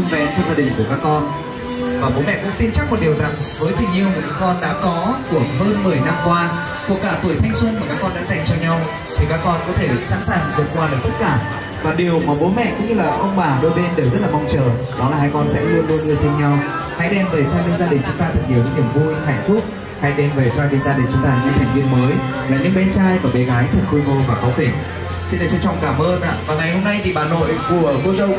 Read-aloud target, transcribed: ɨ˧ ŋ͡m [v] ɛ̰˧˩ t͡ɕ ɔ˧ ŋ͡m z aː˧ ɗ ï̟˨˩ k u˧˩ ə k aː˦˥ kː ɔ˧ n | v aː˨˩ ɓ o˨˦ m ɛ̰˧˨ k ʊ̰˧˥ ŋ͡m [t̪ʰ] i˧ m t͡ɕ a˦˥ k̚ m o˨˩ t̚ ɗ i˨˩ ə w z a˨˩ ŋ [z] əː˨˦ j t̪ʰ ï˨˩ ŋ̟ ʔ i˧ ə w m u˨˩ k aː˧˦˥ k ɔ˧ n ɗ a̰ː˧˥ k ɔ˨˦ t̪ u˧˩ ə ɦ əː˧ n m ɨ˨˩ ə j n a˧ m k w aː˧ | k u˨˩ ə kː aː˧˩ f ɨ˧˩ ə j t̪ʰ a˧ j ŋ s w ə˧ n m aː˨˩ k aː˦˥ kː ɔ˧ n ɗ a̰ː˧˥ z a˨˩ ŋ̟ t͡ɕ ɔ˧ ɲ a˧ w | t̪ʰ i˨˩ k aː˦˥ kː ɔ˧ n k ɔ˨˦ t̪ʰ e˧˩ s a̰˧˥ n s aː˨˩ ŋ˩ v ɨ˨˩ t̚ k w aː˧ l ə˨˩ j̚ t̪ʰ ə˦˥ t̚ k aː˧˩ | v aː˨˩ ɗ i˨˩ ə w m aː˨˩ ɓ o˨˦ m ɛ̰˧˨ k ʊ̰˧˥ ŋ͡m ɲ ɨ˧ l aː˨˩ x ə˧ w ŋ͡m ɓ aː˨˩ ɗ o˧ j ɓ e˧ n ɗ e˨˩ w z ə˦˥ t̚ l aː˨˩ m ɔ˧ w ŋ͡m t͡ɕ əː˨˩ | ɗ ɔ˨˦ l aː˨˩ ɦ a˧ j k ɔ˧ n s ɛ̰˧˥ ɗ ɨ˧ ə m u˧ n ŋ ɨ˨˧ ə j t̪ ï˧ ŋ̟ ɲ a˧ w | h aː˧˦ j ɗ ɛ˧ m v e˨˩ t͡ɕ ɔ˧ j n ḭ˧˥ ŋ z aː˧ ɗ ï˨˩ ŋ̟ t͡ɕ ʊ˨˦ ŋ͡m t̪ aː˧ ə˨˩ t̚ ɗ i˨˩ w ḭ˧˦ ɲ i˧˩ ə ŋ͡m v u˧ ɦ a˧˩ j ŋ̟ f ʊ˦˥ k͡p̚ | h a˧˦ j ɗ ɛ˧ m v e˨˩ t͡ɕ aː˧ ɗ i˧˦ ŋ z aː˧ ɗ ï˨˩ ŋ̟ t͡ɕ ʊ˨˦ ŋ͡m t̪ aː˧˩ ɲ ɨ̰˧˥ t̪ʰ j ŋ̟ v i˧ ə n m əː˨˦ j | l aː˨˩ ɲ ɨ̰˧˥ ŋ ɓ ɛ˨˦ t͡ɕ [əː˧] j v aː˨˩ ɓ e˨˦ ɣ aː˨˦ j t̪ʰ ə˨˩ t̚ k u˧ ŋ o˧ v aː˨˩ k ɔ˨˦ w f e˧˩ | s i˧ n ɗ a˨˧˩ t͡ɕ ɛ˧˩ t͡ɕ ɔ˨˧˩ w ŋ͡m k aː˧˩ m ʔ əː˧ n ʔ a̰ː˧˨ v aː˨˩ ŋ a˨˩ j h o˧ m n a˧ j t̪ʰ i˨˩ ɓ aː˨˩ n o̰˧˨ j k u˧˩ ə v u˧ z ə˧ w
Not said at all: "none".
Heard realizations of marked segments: v, t̪, v, aː˧

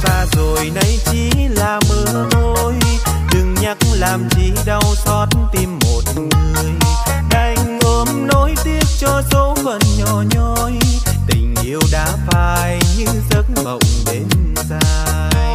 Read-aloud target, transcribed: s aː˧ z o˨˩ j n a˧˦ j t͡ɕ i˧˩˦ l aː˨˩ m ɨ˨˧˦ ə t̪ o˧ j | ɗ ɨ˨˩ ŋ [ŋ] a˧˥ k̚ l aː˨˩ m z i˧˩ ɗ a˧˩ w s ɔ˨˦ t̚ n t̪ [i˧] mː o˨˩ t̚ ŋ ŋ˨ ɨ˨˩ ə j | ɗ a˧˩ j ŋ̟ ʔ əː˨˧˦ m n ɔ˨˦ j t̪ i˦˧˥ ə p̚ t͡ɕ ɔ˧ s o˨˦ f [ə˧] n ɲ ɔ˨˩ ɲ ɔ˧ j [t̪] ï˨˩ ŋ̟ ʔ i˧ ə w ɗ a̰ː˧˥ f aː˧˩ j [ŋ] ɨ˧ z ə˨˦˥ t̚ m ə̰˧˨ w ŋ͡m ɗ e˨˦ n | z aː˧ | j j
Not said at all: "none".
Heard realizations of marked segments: ɲ, i˧, ə˨˩, t̪, ɲ

